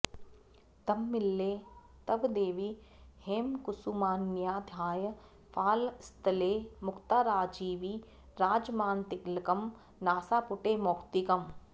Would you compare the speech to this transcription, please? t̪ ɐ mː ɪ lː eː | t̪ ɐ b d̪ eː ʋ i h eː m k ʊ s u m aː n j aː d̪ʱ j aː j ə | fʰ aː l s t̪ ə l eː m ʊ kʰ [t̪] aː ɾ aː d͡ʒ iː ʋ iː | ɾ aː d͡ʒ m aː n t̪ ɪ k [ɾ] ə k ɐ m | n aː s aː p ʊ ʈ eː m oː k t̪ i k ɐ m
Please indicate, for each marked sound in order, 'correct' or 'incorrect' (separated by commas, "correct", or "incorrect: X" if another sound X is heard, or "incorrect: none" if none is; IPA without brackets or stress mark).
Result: correct, incorrect: l